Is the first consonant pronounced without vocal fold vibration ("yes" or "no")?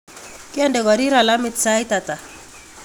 yes